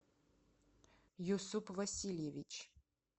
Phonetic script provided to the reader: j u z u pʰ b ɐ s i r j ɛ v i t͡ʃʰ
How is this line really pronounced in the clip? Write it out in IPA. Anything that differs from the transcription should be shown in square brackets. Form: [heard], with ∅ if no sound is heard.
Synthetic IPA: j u [s] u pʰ [v] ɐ s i [l] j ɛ v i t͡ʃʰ

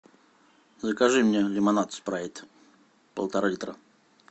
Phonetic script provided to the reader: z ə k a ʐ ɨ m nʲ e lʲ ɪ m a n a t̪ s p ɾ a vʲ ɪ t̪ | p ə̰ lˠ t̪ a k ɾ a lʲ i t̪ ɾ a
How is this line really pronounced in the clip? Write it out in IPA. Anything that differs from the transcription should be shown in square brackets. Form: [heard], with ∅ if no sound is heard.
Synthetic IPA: z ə k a ʐ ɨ m nʲ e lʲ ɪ m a n a t̪ s p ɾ a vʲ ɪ t̪ | p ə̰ lˠ t̪ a [∅] ɾ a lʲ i t̪ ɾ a

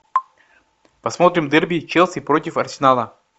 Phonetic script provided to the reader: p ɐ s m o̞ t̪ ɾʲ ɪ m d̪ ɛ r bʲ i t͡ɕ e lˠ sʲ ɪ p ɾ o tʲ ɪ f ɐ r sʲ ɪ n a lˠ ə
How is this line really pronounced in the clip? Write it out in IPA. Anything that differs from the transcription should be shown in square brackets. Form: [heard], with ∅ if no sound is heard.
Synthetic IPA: p ɐ s m o̞ t̪ ɾʲ ɪ m d̪ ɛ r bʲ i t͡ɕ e lˠ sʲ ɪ p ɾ o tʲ ɪ f ɐ r sʲ ɪ n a lˠ ə

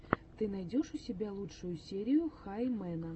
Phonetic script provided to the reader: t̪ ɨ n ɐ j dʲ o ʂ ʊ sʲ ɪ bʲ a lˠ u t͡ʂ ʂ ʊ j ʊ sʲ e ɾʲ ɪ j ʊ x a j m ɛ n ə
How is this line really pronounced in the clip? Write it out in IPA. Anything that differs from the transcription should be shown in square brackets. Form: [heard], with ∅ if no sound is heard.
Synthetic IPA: t̪ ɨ n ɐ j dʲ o ʂ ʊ sʲ ɪ bʲ a lˠ u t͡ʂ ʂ ʊ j ʊ sʲ e ɾʲ ɪ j ʊ x a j m ɛ n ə

